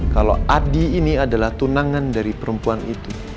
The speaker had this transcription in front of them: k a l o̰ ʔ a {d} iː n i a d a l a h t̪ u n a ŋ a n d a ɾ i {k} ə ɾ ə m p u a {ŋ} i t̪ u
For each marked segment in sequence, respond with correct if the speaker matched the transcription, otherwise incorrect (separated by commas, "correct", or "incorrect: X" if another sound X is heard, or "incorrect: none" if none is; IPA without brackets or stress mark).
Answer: correct, incorrect: p, incorrect: n